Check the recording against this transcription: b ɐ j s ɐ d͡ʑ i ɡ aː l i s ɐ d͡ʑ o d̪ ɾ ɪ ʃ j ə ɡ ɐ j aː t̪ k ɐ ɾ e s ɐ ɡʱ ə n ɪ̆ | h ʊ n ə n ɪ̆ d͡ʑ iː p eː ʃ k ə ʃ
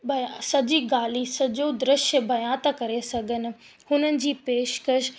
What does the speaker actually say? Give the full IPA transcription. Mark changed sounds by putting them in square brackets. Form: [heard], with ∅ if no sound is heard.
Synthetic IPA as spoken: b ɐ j s ɐ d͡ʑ i ɡ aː l i s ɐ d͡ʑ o d̪ ɾ ɪ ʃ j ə [b] ɐ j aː t̪ k ɐ ɾ e s ɐ ɡʱ ə n ɪ̆ | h ʊ n ə n ɪ̆ d͡ʑ iː p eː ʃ k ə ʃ

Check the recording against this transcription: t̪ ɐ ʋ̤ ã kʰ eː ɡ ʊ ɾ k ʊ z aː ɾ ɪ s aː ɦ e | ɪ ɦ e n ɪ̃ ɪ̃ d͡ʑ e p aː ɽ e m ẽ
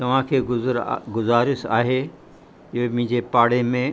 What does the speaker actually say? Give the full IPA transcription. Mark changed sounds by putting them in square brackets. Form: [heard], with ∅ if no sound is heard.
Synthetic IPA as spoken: t̪ ɐ ʋ̤ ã kʰ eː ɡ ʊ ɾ [ɡ] ʊ z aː ɾ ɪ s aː ɦ e | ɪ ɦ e [m] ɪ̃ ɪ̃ d͡ʑ e p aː ɽ e m ẽ

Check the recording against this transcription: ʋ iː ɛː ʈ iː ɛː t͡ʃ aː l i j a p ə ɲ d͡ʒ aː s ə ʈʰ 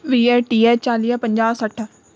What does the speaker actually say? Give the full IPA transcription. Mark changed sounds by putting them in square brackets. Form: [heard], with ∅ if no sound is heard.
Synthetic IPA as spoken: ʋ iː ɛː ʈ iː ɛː t͡ʃ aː l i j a p ə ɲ d͡ʒ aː s ə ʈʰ

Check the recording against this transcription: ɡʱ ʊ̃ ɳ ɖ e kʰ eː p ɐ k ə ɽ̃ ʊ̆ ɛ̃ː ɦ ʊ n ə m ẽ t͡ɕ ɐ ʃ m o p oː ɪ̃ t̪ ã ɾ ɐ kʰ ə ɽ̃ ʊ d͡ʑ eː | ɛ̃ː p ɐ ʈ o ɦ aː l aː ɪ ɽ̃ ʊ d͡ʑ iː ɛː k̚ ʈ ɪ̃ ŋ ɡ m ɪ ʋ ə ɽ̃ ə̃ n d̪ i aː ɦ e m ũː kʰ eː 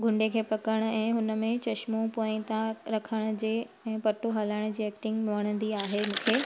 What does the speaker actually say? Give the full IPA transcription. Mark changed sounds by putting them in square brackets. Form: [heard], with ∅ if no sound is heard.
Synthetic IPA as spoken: ɡʱ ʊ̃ ɳ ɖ e kʰ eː p ɐ k ə ɽ̃ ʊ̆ ɛ̃ː ɦ ʊ n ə m ẽ t͡ɕ ɐ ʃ m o p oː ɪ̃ t̪ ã ɾ ɐ kʰ ə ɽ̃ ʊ d͡ʑ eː | ɛ̃ː p ɐ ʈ o ɦ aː l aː ɪ ɽ̃ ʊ d͡ʑ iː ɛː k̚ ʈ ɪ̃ ŋ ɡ m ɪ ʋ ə ɽ̃ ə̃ n d̪ i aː ɦ e m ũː kʰ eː

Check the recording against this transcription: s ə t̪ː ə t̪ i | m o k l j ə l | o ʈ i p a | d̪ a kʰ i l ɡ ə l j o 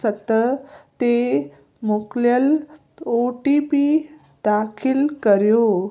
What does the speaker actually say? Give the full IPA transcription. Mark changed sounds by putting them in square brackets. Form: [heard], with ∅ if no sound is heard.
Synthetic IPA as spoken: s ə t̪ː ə t̪ [e] | m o k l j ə l | o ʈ i p [i] | d̪ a kʰ i l [k] ə [ɾ] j o

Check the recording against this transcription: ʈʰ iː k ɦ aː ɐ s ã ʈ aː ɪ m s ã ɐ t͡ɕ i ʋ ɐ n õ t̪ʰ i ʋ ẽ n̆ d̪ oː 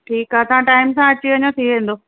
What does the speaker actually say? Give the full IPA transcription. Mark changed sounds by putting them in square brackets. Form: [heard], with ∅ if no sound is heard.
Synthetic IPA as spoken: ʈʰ iː k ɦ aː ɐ s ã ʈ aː ɪ m s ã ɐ t͡ɕ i ʋ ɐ [ɲ] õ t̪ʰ i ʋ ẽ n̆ d̪ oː

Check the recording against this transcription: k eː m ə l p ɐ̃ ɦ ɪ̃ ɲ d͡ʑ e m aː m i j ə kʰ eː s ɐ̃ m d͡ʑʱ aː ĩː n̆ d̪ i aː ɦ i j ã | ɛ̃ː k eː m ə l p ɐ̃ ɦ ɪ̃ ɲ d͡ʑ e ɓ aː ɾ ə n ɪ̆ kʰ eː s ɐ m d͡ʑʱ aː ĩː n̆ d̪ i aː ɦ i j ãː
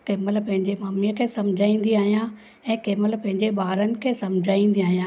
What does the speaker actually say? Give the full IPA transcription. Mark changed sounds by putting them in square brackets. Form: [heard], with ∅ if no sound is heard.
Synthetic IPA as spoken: k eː m ə l p ɐ̃ ɦ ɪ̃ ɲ d͡ʑ e m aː m i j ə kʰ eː s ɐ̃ m d͡ʑʱ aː ĩː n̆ d̪ i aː ɦ i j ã | ɛ̃ː k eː m ə l p ɐ̃ ɦ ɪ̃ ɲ d͡ʑ e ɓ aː ɾ ə n ɪ̆ kʰ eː s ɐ m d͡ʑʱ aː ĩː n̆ d̪ i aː ɦ i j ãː

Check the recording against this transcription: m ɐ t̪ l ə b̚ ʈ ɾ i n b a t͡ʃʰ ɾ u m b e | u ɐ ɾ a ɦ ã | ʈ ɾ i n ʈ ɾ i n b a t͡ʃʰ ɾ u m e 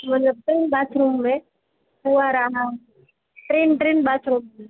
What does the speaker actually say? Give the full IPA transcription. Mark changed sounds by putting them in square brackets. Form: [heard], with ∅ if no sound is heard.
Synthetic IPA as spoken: m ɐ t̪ l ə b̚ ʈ ɾ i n b a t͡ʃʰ ɾ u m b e | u [a] ɾ a ɦ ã | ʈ ɾ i n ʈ ɾ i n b a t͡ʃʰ ɾ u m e

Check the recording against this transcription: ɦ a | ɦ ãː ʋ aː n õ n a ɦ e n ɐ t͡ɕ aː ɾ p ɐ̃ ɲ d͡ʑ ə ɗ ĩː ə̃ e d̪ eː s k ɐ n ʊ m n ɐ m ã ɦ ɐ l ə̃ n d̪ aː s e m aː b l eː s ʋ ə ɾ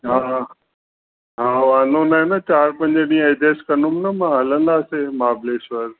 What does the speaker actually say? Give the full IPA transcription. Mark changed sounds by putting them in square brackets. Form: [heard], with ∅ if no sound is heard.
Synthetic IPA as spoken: ɦ a | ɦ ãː ʋ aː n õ n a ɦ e n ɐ t͡ɕ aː ɾ p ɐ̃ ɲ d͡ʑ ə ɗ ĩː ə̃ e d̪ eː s k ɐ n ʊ m n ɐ m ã ɦ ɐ l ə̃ n d̪ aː s e m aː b l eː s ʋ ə ɾ

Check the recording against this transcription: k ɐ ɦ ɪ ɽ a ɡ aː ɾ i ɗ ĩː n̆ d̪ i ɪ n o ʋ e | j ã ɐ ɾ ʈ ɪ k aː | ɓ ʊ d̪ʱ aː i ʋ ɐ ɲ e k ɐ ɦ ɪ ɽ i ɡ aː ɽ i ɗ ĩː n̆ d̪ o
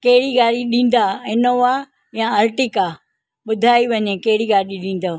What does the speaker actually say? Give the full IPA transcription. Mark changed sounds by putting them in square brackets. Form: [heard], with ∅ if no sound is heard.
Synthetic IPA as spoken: k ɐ ɦ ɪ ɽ [i] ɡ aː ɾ i ɗ ĩː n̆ d̪ [a] ɪ n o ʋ [a] | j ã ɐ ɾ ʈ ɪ k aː | ɓ ʊ d̪ʱ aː i ʋ ɐ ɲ e k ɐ ɦ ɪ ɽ i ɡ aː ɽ i ɗ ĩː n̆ d̪ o

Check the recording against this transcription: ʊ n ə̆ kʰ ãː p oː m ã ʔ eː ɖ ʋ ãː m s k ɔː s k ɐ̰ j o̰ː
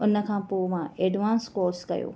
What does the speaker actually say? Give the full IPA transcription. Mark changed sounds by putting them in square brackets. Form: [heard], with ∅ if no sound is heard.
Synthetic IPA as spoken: ʊ n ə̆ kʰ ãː p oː m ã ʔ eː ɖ ʋ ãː [n] s k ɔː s k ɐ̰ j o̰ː

